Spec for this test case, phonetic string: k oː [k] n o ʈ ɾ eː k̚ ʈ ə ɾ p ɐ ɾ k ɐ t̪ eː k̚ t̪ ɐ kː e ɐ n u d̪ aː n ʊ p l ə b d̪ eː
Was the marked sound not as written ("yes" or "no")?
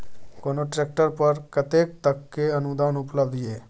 yes